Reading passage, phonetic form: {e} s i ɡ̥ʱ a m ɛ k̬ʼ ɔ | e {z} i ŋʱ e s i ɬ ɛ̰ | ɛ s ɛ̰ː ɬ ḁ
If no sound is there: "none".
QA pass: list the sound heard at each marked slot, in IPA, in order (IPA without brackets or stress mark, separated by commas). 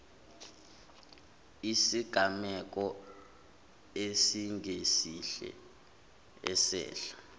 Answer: i, s